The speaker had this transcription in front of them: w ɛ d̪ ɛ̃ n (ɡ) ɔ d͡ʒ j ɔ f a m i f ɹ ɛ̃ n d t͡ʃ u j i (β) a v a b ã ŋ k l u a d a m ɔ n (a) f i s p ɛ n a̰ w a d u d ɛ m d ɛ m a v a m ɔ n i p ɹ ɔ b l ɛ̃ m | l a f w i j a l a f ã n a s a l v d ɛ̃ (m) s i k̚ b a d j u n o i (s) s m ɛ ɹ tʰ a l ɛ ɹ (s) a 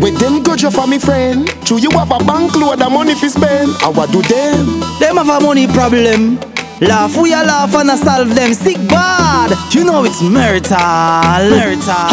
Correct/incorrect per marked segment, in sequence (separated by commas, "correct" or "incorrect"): correct, incorrect, incorrect, correct, incorrect, incorrect